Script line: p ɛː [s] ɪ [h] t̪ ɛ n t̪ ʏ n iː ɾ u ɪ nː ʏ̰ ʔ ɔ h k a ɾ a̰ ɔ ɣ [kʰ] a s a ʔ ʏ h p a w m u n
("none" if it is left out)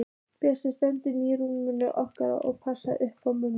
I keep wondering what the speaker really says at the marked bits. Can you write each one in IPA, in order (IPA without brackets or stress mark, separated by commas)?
s, s, pʰ